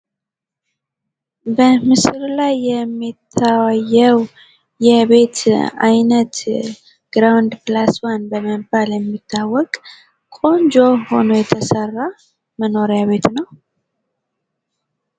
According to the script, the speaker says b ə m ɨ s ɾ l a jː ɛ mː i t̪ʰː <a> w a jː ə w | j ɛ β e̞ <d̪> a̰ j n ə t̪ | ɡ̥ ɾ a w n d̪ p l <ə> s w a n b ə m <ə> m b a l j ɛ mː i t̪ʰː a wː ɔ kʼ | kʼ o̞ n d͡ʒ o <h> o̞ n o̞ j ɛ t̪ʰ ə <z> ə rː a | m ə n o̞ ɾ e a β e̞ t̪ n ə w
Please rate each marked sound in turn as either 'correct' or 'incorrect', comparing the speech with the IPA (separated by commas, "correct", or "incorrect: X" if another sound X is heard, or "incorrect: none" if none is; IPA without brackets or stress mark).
correct, incorrect: t̪, incorrect: a, correct, correct, incorrect: s